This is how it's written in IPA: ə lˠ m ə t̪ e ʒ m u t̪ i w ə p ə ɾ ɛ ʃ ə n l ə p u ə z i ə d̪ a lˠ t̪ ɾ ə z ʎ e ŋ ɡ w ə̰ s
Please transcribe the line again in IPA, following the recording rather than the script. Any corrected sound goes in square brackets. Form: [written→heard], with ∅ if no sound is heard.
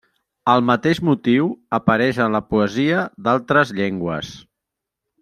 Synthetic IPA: ə lˠ m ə t̪ e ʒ m u t̪ i w ə p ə ɾ ɛ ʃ ə n l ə p u ə z i ə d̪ a lˠ t̪ ɾ ə z ʎ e ŋ ɡ w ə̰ s